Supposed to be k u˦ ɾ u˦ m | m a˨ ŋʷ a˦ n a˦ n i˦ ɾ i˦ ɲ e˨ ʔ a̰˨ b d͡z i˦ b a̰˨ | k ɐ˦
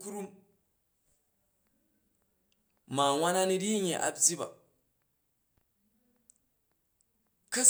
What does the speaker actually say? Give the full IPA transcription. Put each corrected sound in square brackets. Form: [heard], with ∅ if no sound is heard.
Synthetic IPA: k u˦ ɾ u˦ m | m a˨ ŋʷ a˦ n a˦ n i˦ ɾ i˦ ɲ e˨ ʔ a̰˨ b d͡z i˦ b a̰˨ | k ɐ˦